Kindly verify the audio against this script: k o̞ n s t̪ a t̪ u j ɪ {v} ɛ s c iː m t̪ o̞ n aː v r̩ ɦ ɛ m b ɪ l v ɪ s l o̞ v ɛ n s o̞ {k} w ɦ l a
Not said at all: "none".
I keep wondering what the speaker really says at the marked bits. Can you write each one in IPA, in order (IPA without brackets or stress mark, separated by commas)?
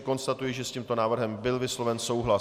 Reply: ʒ, none